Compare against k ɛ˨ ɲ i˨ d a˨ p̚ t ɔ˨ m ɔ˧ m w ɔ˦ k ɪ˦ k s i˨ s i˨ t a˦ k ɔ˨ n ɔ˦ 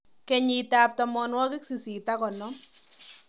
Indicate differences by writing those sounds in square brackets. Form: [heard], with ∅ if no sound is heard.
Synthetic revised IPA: k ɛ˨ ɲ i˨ [t] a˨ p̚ t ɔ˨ m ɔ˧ [n] w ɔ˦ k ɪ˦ k s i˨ s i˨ t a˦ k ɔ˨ n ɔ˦